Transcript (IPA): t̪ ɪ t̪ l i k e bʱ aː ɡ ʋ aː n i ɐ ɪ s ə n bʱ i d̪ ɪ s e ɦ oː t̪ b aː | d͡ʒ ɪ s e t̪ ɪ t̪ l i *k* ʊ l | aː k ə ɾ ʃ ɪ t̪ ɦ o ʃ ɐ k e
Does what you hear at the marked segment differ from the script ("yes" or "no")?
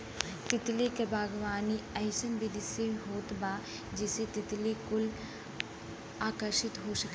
no